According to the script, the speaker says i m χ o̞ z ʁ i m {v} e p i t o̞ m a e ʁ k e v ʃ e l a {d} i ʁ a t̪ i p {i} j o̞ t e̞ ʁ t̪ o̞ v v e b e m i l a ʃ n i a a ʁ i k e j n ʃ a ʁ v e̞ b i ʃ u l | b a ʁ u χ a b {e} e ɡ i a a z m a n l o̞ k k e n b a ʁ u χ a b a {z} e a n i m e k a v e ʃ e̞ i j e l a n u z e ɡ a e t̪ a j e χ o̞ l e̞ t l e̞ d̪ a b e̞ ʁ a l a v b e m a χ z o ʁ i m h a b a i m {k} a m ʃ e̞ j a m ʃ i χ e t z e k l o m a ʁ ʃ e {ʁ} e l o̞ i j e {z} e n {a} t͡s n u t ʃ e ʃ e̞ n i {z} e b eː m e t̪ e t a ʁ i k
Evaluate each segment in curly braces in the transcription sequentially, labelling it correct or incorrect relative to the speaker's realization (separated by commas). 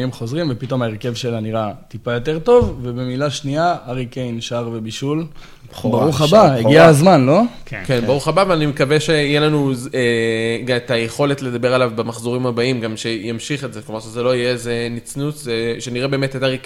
correct, incorrect, incorrect, incorrect, incorrect, incorrect, incorrect, correct, incorrect, incorrect